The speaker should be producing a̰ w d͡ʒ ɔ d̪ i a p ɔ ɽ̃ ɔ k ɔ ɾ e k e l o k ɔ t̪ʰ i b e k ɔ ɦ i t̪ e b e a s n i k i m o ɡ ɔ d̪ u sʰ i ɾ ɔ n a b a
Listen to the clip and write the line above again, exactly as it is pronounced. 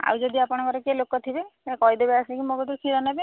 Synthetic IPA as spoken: a̰ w d͡ʒ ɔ d̪ i a p ɔ ɽ̃ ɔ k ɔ ɾ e k e l o k ɔ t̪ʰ i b e k ɔ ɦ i d̪ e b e a s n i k i m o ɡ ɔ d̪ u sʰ i ɾ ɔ n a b e

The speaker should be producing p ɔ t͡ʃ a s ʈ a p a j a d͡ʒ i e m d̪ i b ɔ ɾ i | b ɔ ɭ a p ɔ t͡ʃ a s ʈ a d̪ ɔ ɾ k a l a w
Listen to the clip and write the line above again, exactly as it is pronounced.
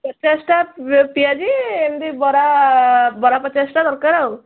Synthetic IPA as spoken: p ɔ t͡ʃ a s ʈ a p i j a d͡ʒ i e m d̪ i b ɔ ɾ a | b ɔ ɾ a p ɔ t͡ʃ a s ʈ a d̪ ɔ ɾ k a ɾ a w

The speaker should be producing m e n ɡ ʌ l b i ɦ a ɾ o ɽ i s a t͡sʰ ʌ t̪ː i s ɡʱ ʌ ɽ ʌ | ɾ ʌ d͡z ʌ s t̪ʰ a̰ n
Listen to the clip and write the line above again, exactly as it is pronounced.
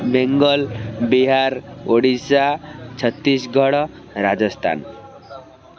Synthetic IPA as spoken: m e ŋ ɡ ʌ l b i ɦ a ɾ o ɽ i s a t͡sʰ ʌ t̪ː i s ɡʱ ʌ ɽ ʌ | ɾ a d͡z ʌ s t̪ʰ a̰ n

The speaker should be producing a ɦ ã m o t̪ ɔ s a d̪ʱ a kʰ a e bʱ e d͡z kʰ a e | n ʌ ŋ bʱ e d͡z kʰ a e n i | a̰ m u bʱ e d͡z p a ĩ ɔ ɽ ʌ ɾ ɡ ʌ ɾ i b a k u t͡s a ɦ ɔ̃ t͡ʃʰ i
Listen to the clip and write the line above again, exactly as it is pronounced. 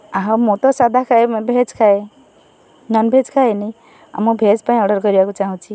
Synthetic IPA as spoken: a ɦ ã m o t̪ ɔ s a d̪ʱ a kʰ a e bʱ e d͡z kʰ a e | n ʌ n bʱ e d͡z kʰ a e n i | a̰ m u bʱ e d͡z p a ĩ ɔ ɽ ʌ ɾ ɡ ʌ ɾ i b a k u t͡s a ɦ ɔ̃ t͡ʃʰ i

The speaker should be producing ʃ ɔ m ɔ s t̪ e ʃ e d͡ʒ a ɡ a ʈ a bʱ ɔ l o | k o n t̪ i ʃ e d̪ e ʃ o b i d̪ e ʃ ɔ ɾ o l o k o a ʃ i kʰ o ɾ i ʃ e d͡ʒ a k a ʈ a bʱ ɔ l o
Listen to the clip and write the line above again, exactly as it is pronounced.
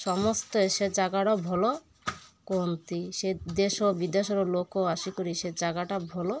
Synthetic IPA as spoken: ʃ ɔ m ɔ s t̪ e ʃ e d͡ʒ a ɡ a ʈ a bʱ ɔ l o | k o n t̪ i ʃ e d̪ e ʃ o b i d̪ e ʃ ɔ ɾ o l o k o a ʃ i k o ɾ i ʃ e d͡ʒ a ɡ a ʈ a bʱ ɔ l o

